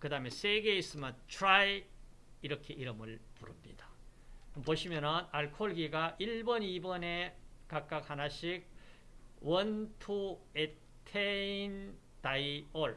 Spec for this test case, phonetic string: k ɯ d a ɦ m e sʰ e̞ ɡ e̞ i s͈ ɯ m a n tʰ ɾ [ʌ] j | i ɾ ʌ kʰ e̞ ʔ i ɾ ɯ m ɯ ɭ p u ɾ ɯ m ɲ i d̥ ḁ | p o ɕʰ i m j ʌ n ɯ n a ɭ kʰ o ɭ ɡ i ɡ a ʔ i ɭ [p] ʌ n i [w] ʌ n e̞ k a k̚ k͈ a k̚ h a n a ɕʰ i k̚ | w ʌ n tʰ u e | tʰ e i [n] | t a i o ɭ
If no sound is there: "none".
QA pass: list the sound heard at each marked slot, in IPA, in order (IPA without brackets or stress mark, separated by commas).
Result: a, b, b, n